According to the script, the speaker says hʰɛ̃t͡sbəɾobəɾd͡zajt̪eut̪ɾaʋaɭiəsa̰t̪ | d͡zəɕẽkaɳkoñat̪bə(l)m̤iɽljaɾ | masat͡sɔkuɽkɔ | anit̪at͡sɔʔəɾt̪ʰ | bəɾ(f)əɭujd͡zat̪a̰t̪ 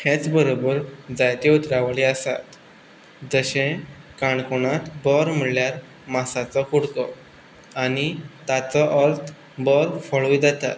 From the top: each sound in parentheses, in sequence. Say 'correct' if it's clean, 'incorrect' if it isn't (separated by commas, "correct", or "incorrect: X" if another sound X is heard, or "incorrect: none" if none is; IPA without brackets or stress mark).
incorrect: ɾ, correct